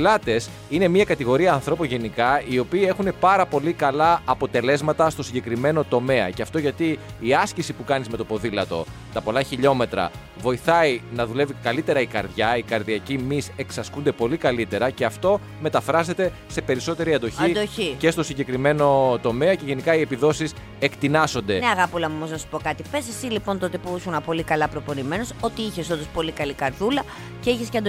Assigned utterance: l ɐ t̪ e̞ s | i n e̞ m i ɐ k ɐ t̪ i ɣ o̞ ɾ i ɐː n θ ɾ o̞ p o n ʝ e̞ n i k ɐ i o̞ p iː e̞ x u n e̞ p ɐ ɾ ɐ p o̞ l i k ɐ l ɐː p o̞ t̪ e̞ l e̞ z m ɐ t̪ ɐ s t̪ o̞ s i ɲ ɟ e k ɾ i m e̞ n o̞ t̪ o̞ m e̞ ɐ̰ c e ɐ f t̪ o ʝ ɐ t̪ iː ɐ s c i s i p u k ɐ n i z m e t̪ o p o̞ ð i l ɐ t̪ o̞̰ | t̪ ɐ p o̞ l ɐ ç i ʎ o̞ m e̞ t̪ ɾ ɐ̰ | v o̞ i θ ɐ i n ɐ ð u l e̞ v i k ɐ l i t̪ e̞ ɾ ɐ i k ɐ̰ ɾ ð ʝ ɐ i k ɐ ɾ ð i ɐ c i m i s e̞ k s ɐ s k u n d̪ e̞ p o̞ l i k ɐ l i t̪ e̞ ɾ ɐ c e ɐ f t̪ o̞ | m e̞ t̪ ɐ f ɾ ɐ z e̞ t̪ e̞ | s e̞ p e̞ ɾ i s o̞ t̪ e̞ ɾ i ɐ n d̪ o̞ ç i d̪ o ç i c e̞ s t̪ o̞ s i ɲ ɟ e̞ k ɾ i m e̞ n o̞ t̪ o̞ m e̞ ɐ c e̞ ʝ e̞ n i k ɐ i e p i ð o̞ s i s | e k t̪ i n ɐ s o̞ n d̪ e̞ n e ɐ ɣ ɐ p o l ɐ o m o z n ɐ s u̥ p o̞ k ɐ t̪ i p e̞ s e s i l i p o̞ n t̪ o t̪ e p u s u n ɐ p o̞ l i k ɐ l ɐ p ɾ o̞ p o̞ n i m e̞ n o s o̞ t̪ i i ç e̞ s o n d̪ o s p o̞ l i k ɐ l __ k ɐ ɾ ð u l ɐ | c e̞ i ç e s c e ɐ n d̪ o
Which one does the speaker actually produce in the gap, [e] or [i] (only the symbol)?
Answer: i